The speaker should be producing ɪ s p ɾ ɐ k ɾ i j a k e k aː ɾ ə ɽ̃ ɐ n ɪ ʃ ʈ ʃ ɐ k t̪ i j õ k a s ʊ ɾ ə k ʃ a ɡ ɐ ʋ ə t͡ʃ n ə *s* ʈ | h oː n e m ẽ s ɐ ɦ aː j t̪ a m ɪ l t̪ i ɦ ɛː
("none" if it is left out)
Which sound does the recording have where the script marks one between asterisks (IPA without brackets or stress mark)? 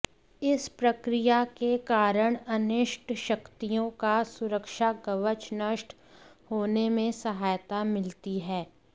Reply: ʃ